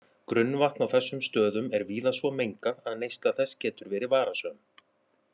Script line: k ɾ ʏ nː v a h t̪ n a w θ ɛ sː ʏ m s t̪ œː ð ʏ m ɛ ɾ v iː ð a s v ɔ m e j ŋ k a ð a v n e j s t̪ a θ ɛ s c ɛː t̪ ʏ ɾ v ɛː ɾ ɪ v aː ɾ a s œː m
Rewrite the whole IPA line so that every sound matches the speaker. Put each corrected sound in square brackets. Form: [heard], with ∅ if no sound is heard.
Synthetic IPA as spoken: k ɾ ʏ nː v a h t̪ n a w θ ɛ sː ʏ m s t̪ œː ð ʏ m ɛ ɾ v iː ð a s v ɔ m e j ŋ k a ð a [ð] n e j s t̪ a θ ɛ s c ɛː t̪ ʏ ɾ v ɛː ɾ ɪ v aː ɾ a s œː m